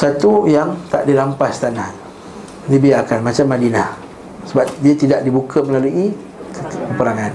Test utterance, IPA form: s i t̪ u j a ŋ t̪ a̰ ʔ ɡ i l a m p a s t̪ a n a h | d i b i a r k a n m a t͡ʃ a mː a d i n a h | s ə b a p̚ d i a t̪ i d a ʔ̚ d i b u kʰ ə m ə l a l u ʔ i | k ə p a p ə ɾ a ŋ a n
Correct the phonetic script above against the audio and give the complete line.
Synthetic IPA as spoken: s a t̪ u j a ŋ t̪ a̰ ʔ d i l a m p a s t̪ a n a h | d i b i a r k a n m a t͡ʃ a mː a d i n a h | s ə b a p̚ d i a t̪ i d a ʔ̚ d i b u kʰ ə m ə l a l u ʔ i | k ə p ə p ə ɾ a ŋ a n